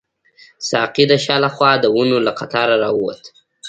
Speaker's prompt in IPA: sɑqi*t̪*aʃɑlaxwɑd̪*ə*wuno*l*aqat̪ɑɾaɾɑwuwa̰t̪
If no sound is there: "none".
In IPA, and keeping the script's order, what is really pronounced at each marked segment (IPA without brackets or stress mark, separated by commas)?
d̪, ə, l